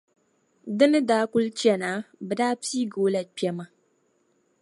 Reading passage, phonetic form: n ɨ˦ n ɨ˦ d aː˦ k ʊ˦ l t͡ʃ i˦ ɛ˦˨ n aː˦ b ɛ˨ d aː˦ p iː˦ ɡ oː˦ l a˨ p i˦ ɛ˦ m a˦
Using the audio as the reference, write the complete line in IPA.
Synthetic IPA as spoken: d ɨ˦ n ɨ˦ d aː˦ k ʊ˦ l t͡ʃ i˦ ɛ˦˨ n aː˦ b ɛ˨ d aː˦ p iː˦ ɡ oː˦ l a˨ p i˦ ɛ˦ m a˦